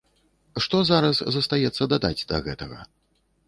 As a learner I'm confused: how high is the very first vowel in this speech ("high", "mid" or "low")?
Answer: mid